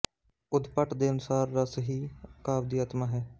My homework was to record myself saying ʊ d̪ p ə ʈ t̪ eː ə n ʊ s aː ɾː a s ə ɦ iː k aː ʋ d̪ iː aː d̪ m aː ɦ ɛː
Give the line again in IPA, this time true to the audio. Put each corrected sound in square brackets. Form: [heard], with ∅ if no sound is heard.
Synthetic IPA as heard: ʊ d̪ p ə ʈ [d̪] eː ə n ʊ s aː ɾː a s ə ɦ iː k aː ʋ d̪ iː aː [t̪] m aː ɦ ɛː